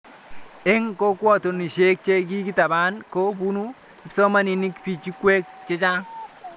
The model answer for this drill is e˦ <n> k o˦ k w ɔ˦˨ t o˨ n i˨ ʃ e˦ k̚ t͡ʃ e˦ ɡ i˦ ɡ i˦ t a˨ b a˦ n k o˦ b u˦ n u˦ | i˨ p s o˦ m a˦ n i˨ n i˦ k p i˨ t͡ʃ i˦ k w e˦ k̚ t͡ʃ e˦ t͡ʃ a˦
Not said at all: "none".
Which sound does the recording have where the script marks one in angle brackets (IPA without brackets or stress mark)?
ŋ